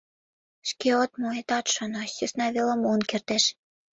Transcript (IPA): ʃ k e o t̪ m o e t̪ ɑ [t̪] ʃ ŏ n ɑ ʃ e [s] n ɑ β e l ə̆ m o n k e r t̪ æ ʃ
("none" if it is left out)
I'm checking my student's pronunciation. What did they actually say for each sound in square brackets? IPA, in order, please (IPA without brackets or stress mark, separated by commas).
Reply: t̪, s